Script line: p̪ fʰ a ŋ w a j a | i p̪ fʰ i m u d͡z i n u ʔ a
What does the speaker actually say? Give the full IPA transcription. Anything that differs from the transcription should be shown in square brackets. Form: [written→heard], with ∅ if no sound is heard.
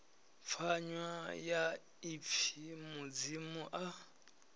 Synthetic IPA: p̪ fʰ a [ŋ→ɲ] w a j a | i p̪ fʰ i m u d͡z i [n→m] u ʔ a